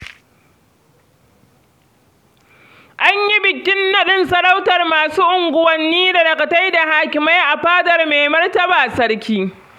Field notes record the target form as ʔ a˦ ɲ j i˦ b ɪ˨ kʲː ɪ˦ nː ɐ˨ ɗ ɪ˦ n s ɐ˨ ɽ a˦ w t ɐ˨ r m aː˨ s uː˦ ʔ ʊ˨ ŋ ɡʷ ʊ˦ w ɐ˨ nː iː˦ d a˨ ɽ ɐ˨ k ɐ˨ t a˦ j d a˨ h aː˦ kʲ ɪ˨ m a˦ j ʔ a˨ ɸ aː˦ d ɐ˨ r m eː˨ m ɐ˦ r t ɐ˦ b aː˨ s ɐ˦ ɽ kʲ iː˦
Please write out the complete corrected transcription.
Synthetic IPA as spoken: ʔ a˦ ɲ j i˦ b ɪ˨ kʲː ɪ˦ nː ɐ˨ ɗ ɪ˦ n s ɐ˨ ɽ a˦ w t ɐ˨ r m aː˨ s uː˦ ʔ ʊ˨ ŋ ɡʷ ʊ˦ w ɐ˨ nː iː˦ d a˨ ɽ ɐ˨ k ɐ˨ t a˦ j d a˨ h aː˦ kʲ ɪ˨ m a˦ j ʔ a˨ ɸ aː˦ d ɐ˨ r m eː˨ m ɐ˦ r t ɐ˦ b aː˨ s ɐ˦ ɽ kʲ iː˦

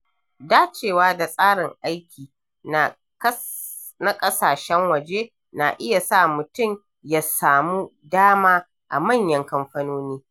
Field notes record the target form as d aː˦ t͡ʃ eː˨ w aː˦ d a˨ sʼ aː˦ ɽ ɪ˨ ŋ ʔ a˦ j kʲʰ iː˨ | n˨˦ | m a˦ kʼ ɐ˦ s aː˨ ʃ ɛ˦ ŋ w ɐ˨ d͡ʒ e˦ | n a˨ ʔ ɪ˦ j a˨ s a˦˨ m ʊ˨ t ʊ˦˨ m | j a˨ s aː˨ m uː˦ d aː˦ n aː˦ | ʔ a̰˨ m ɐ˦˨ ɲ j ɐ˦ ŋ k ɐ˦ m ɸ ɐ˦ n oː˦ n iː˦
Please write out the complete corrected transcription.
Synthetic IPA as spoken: d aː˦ t͡ʃ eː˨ w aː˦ d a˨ sʼ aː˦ ɽ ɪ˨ ŋ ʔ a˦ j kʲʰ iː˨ | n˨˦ | n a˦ kʼ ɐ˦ s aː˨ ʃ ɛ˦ ŋ w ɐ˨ d͡ʒ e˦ | n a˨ ʔ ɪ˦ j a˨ s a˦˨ m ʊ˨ t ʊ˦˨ m | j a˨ s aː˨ m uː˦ d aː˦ m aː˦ | ʔ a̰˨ m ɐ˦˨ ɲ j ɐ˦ ŋ k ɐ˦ m ɸ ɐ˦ n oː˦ n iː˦

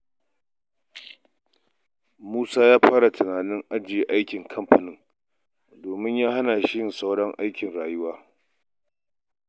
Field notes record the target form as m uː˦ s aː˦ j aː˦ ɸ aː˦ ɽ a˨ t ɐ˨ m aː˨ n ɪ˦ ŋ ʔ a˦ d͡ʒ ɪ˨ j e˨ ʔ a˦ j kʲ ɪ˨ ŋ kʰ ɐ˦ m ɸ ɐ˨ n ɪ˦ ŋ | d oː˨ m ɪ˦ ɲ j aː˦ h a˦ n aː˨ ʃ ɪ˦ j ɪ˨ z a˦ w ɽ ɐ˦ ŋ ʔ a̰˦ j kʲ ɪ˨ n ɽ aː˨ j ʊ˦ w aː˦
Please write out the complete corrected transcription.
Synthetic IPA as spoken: m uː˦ s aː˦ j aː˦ ɸ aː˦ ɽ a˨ t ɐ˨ n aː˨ n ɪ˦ ŋ ʔ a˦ d͡ʒ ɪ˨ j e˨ ʔ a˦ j kʲ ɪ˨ ŋ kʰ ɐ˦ m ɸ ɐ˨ n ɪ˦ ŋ | d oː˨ m ɪ˦ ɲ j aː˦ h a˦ n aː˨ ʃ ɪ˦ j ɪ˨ s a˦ w ɽ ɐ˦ ŋ ʔ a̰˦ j kʲ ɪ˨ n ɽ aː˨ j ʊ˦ w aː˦

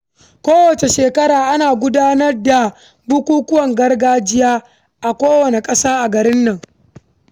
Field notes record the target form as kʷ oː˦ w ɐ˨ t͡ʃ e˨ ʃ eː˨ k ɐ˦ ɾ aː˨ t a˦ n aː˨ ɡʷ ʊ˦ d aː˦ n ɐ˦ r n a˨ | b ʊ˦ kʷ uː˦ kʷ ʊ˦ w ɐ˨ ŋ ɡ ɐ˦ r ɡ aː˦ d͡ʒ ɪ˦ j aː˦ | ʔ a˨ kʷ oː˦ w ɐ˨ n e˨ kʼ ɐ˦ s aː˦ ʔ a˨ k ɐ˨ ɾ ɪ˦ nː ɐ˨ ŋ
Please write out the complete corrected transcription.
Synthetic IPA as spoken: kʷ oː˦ w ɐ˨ t͡ʃ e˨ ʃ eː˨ k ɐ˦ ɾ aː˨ ʔ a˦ n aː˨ ɡʷ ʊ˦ d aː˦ n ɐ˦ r d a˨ | b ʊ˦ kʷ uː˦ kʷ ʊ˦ w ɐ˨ ŋ ɡ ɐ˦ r ɡ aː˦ d͡ʒ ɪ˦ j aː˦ | ʔ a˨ kʷ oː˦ w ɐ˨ n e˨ kʼ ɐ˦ s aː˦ ʔ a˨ ɡ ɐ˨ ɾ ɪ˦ nː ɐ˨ ŋ

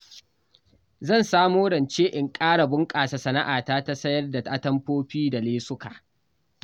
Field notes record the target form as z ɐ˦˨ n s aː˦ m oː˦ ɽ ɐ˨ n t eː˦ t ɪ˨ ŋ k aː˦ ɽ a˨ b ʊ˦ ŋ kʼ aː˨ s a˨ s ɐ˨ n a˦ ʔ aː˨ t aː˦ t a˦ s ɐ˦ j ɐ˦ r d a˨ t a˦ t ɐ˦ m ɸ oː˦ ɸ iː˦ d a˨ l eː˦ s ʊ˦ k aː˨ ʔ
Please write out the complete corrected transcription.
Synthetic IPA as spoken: z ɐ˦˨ n s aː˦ m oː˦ ɽ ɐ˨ n t͡ʃ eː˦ ʔ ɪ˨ ŋ kʼ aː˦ ɽ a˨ b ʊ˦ ŋ kʼ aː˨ s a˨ s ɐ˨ n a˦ ʔ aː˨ t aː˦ t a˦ s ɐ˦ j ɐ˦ r d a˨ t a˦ t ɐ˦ m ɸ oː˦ ɸ iː˦ d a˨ l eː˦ s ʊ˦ k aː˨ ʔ

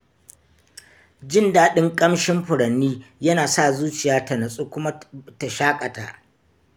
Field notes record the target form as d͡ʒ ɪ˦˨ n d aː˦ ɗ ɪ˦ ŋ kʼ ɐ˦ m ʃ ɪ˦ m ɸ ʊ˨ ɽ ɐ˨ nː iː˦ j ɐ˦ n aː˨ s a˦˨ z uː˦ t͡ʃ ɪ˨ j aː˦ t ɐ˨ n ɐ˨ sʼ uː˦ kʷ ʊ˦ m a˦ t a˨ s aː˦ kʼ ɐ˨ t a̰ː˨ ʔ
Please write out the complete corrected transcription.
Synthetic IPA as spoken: d͡ʒ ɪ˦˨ n d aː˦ ɗ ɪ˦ ŋ kʼ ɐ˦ m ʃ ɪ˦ m ɸ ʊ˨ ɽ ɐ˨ nː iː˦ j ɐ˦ n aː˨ s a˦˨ z uː˦ t͡ʃ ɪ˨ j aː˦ t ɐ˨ n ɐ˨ sʼ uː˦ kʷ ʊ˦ m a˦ t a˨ ʃ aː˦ kʼ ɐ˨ t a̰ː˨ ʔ

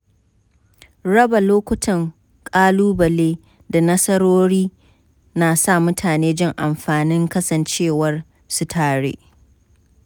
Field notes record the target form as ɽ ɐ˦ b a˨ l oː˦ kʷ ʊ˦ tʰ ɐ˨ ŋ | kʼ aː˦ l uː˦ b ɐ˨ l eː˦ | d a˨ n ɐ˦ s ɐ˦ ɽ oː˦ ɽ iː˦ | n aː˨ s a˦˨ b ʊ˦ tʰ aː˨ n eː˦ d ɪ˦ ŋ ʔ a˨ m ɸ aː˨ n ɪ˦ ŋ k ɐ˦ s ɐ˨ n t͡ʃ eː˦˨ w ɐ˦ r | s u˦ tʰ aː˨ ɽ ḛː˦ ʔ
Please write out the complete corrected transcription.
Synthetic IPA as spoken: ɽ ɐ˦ b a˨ l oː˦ kʷ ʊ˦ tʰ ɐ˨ ŋ | kʼ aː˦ l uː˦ b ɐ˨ l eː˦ | d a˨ n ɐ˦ s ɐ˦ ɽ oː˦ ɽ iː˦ | n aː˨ s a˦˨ m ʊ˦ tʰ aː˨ n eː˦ d͡ʒ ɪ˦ ŋ ʔ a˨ m ɸ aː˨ n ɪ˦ ŋ k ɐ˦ s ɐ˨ n t͡ʃ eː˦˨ w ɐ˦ r | s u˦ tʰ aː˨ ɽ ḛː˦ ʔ

